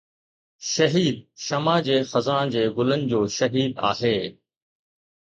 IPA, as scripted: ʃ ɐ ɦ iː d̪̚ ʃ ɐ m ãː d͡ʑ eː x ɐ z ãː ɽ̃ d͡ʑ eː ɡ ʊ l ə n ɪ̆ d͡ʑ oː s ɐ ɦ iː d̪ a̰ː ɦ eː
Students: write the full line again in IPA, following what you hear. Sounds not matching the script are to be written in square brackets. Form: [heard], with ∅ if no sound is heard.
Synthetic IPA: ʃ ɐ ɦ iː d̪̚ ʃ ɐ m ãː d͡ʑ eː x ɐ z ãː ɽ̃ d͡ʑ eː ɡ ʊ l ə n ɪ̆ d͡ʑ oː [ʃ] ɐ ɦ iː d̪ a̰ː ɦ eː